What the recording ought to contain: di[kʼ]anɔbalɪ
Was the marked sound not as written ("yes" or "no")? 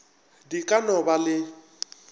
no